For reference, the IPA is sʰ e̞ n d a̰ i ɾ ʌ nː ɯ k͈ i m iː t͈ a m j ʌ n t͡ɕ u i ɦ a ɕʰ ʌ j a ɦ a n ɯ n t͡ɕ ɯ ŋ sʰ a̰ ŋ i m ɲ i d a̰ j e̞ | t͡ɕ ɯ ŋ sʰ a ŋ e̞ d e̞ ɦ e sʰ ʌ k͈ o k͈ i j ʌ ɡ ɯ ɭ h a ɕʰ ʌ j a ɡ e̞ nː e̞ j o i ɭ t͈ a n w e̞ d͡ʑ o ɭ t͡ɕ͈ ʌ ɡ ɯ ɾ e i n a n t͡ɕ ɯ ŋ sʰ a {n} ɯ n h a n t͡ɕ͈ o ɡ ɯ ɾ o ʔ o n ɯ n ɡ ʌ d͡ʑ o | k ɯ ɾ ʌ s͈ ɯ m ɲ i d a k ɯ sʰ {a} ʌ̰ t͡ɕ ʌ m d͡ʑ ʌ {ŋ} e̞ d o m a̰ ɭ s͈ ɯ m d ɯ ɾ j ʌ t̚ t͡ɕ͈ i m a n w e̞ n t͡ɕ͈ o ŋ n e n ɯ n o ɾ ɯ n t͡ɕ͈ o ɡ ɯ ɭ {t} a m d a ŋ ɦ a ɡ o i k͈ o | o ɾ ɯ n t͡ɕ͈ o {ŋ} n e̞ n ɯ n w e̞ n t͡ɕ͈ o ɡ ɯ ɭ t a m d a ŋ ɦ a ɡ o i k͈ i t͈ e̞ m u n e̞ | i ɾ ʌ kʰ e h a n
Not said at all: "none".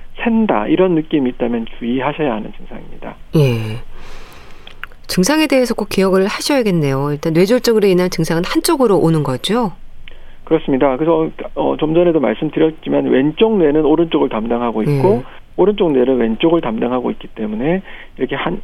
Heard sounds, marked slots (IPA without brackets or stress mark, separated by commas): ŋ, ʌ, n, t, ŋ